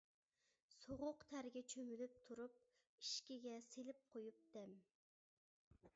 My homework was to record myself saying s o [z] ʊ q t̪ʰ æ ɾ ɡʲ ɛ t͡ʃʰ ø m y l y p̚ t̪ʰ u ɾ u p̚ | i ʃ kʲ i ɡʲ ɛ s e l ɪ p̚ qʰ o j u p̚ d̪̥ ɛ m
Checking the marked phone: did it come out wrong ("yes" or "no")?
yes